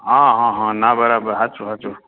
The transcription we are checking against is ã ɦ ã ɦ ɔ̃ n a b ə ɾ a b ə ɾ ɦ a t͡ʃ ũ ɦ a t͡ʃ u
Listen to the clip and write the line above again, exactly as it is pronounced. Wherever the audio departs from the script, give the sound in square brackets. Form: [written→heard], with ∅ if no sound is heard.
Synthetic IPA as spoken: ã ɦ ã ɦ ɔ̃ n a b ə ɾ a b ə ɾ ɦ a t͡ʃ [ũ→u] ɦ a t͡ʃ u